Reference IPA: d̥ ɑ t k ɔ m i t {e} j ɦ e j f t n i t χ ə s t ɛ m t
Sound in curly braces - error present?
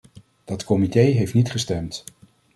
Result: no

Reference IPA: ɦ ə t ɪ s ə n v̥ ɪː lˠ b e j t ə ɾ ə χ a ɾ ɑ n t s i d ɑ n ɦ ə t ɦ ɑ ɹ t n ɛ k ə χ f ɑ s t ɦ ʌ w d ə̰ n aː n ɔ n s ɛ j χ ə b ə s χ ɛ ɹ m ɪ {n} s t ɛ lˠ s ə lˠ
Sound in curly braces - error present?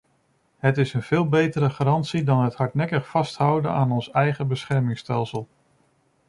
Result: yes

